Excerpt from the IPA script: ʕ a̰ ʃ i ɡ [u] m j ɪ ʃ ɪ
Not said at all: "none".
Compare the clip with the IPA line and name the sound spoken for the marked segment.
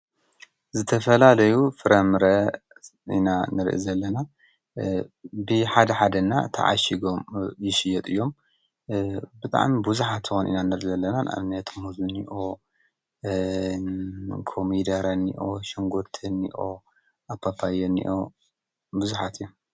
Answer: o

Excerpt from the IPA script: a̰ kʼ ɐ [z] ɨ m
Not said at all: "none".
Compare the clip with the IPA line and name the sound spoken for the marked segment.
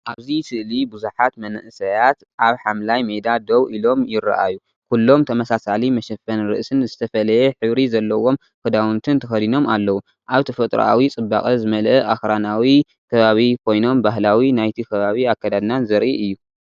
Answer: z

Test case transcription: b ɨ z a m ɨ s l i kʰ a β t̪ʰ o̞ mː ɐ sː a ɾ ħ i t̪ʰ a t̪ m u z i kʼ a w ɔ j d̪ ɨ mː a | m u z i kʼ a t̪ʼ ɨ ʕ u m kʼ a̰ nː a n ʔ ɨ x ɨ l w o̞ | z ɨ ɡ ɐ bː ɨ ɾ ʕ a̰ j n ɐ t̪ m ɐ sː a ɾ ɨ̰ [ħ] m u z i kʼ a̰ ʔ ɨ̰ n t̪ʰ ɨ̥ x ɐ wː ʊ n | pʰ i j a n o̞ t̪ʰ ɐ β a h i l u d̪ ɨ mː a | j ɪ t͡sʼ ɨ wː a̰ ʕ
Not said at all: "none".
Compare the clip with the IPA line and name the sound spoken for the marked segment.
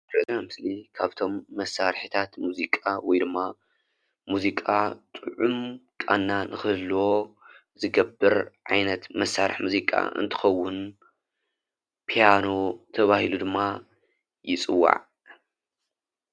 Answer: ħ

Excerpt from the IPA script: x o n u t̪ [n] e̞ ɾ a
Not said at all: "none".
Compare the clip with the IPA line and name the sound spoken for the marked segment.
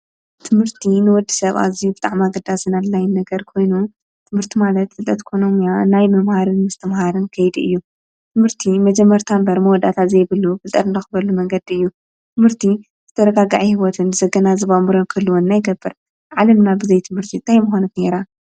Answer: n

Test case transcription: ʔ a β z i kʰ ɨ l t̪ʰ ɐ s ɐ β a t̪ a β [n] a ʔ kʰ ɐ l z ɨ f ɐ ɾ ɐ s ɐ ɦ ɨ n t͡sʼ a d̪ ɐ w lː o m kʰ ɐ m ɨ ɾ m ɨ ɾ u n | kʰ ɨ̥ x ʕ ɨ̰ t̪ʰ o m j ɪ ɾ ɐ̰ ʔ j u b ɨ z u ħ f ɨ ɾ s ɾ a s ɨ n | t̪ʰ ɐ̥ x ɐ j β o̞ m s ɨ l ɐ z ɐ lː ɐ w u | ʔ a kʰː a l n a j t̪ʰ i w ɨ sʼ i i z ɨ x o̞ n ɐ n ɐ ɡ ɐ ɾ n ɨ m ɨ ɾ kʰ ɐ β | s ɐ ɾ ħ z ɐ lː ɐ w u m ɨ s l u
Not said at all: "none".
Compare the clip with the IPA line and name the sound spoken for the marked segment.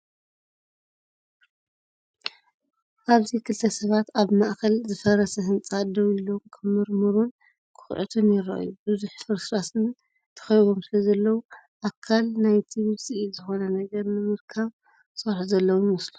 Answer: m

